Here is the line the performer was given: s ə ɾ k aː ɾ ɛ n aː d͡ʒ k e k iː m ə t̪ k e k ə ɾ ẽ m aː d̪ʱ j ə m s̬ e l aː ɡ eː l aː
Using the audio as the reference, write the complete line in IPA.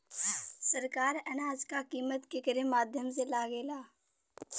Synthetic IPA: s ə ɾ k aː ɾ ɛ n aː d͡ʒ k a k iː m ə t̪ k e k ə ɾ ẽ m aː d̪ʱ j ə m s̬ e l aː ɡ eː l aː